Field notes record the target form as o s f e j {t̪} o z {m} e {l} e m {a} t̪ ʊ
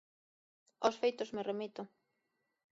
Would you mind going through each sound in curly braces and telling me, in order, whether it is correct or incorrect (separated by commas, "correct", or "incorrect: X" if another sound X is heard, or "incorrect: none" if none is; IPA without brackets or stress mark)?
correct, correct, incorrect: r, incorrect: i